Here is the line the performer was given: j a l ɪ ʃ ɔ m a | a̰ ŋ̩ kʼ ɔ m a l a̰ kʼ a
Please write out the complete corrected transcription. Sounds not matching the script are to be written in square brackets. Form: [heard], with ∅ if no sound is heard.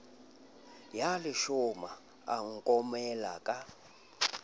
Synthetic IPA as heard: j a l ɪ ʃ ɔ m a | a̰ ŋ̩ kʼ ɔ m [ɛ] l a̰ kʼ a